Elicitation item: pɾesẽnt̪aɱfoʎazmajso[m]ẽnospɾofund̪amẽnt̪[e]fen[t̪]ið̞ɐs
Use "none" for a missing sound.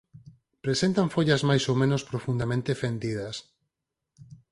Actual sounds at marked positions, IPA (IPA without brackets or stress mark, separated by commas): m, e, d̪